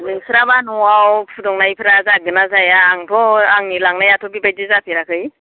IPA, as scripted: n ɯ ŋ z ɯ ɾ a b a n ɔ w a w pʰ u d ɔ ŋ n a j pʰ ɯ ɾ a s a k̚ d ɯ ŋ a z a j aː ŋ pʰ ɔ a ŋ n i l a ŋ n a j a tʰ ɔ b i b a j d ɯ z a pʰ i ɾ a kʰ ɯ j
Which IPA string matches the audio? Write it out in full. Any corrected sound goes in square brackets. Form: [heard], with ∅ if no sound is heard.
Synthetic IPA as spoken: n ɯ ŋ [s] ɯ ɾ a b a n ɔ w a w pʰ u d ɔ ŋ n a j pʰ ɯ ɾ a [z] a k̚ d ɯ [n] a z a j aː ŋ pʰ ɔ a ŋ n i l a ŋ n a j a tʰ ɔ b i b a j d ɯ z a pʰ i ɾ a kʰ ɯ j